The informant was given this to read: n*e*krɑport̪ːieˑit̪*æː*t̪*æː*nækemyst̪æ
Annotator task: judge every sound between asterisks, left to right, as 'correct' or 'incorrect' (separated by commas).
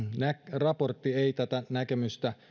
incorrect, incorrect, incorrect